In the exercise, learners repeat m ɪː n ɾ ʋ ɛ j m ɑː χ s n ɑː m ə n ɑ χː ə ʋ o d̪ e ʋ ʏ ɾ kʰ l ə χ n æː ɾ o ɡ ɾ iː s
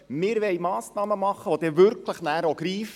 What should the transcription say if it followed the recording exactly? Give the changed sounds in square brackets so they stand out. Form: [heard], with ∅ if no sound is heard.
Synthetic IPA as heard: m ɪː [∅] ɾ ʋ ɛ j m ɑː [∅] s n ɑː m ə [m] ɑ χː ə ʋ o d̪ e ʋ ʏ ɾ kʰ l ə χ n æː ɾ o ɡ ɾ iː [f]